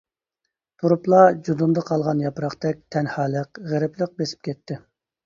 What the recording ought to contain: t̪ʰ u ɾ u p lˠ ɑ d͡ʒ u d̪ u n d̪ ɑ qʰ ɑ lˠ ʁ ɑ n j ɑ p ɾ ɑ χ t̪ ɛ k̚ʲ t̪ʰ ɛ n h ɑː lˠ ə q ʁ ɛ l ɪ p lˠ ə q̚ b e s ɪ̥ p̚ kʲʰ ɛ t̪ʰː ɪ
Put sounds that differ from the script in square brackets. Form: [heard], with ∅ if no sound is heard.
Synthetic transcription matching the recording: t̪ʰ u ɾ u p lˠ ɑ d͡ʒ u d̪ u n d̪ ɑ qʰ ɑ lˠ ʁ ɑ n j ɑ p ɾ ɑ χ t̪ ɛ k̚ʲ t̪ʰ ɛ n h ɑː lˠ ə q ʁ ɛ [ɾ] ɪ p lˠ ə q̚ b e s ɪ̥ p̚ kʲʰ ɛ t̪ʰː ɪ